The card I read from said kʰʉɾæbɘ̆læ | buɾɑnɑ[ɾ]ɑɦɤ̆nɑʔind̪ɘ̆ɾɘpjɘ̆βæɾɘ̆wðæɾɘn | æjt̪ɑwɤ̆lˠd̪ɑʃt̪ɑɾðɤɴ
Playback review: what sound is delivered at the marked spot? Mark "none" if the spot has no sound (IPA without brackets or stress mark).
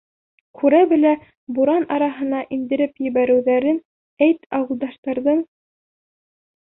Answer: ɾ